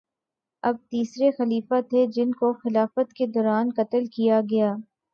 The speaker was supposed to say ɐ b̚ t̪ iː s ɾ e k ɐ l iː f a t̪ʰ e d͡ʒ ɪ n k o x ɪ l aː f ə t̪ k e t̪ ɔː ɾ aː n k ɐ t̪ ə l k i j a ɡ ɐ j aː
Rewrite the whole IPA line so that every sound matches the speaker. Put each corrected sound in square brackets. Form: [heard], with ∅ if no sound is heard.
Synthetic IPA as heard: ɐ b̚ t̪ iː s ɾ e [x] ɐ l iː f a t̪ʰ e d͡ʒ ɪ n k o x ɪ l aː f ə t̪ k e [d̪] ɔː ɾ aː n k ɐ t̪ ə l k i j a ɡ ɐ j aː